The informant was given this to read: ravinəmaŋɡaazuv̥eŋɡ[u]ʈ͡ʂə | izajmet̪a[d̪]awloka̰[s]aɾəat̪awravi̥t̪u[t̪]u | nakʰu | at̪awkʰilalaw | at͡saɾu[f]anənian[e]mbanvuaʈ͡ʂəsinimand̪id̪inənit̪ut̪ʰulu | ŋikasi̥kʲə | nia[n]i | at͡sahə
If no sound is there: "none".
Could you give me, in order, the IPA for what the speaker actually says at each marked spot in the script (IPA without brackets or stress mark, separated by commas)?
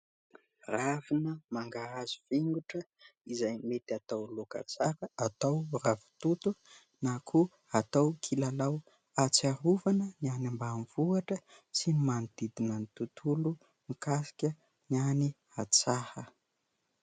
u, t̪, t͡s, t̪, v, a, n